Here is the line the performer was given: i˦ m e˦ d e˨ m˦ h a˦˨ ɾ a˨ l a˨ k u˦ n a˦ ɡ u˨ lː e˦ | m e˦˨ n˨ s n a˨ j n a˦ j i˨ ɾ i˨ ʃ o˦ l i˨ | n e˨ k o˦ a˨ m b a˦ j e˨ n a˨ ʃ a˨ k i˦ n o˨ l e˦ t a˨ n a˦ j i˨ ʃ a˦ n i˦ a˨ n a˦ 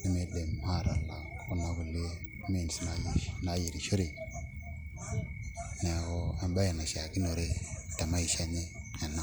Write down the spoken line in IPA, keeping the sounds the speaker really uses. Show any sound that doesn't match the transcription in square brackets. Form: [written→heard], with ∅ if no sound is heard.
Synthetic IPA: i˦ m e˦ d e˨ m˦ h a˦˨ ɾ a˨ l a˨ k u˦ n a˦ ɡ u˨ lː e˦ | m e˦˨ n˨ s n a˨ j n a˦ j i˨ ɾ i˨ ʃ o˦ [l→ɾ] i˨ | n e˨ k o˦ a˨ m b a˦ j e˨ n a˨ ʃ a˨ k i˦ n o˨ [l→ɾ] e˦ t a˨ [n→m] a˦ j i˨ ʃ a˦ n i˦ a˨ n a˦